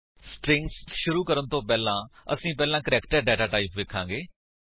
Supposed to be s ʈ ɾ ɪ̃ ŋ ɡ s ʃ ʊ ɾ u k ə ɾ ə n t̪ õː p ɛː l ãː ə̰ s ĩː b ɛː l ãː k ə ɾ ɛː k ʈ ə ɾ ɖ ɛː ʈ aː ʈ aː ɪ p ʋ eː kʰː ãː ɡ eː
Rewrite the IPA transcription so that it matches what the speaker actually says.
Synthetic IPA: s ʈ ɾ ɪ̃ ŋ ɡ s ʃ ʊ ɾ uː k ə ɾ ə n t̪ õː p ɛː l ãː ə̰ s ĩː p ɛː l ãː k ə ɾ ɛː k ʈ ə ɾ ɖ ɛː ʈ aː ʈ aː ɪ p ʋ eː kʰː ãː ɡ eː